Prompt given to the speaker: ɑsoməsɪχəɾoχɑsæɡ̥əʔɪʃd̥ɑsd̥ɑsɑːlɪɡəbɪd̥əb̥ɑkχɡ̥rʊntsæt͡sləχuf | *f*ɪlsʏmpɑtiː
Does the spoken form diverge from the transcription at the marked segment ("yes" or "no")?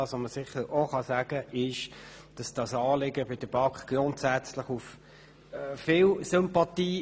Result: no